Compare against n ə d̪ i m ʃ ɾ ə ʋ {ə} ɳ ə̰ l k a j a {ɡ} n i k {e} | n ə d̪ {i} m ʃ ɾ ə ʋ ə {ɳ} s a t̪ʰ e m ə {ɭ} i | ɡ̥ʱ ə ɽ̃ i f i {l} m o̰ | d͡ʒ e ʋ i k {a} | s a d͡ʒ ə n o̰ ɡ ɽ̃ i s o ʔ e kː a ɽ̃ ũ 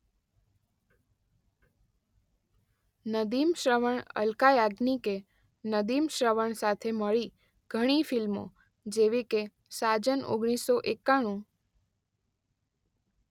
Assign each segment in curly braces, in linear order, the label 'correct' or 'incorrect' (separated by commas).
correct, correct, correct, correct, correct, correct, correct, incorrect